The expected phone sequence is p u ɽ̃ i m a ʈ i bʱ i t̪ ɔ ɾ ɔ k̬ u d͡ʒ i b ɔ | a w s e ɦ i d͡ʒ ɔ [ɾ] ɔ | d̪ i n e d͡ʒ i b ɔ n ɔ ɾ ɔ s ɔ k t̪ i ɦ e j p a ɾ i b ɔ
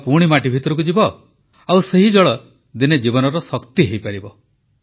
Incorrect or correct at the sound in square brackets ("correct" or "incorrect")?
incorrect